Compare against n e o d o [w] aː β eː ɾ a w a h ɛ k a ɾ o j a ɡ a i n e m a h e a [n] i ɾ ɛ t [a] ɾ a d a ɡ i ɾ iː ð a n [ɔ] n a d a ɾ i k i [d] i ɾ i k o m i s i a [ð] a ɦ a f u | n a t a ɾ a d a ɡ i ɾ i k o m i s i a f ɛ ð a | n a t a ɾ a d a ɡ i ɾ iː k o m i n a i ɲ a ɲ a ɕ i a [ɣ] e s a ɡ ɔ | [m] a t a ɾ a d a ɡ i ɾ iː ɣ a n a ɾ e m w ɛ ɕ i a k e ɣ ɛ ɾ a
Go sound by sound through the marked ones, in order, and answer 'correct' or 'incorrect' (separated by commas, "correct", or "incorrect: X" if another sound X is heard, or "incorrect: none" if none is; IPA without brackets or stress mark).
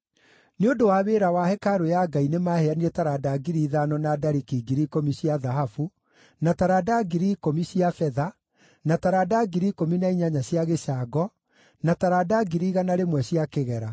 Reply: correct, correct, correct, correct, incorrect: ɡ, correct, correct, incorrect: n